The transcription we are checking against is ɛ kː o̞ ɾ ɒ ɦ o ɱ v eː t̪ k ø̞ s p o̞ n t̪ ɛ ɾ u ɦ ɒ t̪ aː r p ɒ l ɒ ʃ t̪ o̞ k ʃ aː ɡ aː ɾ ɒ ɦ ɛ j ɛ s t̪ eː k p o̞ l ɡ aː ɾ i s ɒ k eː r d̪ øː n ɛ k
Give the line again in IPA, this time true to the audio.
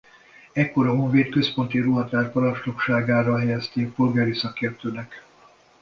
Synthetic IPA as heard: ɛ kː o̞ ɾ ɒ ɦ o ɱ v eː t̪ k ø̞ s p o̞ n t̪ i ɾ u ɦ ɒ t̪ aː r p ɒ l ɒ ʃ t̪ o̞ k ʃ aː ɡ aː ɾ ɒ ɦ ɛ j ɛ s t̪ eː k p o̞ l ɡ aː ɾ i s ɒ k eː r t̪ øː n ɛ k